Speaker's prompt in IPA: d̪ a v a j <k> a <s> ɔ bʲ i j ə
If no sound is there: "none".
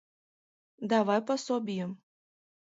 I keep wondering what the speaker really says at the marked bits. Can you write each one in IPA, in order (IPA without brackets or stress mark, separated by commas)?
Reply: p, s